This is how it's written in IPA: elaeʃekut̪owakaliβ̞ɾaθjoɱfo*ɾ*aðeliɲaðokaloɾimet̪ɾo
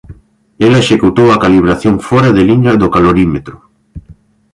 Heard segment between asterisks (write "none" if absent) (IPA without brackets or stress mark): ɾ